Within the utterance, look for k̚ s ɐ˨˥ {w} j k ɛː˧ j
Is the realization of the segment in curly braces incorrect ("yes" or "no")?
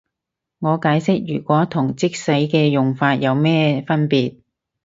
yes